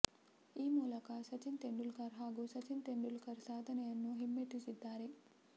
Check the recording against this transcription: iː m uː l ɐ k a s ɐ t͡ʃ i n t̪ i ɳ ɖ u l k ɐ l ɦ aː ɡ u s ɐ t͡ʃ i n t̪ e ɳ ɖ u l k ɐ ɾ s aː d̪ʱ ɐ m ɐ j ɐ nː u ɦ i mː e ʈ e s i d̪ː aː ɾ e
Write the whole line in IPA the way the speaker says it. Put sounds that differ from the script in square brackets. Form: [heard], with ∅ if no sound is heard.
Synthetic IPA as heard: iː m uː l ɐ k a s ɐ t͡ʃ i n t̪ [e] ɳ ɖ u l k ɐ [ɾ] ɦ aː ɡ u s ɐ t͡ʃ i n t̪ e ɳ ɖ u l k ɐ ɾ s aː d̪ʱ ɐ [n] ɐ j ɐ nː u ɦ i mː e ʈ [i] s i d̪ː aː ɾ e